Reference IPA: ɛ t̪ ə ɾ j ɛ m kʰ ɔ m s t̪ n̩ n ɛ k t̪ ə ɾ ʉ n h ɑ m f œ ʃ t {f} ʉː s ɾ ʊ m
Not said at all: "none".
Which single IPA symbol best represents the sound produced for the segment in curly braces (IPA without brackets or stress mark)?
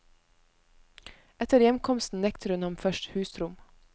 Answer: h